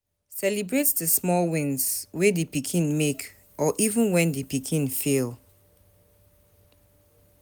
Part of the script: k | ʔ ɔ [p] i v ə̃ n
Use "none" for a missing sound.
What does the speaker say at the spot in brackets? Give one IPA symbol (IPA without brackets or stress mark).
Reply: ʔ